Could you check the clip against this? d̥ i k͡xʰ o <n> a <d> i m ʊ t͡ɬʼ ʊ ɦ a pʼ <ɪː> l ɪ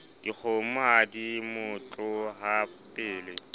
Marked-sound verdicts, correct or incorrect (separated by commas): incorrect, correct, correct